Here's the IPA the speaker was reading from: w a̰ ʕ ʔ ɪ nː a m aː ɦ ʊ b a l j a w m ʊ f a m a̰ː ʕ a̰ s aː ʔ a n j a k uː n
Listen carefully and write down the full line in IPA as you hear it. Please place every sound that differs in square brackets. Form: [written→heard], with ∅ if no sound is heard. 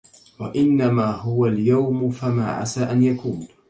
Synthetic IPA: w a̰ [ʕ→∅] ʔ ɪ nː a m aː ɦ ʊ [b→w] a l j a w m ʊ f a m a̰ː ʕ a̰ s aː ʔ a n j a k uː n